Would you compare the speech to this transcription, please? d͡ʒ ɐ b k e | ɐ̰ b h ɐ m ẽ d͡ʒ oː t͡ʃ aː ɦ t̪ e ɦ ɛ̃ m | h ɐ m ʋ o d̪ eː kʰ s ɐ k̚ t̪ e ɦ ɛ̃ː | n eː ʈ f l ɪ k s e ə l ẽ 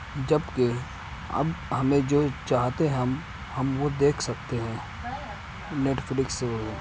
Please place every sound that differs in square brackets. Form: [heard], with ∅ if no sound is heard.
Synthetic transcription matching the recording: d͡ʒ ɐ b k e | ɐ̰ b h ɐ m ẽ d͡ʒ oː t͡ʃ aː ɦ t̪ e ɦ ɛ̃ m | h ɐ m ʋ o d̪ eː kʰ s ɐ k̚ t̪ e ɦ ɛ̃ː | n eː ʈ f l ɪ k s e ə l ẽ